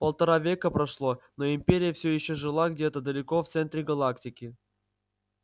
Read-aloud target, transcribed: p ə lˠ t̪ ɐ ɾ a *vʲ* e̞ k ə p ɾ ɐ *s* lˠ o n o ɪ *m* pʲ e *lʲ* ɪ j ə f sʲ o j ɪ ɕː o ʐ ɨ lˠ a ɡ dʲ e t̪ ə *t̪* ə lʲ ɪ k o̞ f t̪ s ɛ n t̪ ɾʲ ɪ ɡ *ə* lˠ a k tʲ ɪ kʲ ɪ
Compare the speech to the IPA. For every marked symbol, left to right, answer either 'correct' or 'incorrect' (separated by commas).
correct, incorrect, correct, incorrect, incorrect, incorrect